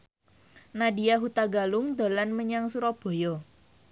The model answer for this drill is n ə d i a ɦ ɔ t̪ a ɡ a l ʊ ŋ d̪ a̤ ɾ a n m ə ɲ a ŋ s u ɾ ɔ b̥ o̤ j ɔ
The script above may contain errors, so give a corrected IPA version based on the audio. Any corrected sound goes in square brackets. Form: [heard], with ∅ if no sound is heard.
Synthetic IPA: n [a] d i a ɦ [u] t̪ a ɡ a l ʊ ŋ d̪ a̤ [l] a n m ə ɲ a ŋ s u ɾ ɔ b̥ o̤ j ɔ